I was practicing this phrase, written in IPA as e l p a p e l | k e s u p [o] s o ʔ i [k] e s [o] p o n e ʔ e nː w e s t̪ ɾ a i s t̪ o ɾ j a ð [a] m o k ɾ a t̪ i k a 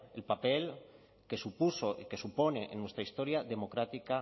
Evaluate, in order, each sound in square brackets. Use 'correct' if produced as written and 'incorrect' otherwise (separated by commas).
incorrect, correct, incorrect, incorrect